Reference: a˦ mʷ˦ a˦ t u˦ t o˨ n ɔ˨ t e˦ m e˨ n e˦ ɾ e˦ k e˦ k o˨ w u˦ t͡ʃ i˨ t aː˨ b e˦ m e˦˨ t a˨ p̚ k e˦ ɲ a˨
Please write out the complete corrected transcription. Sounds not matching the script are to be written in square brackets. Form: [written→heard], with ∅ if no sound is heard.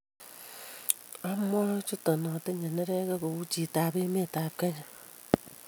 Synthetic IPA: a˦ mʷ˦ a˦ [t→t͡ʃ] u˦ t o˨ n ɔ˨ t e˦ [m→ɲ] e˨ n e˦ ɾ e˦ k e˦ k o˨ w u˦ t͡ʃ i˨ t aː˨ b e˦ m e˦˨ t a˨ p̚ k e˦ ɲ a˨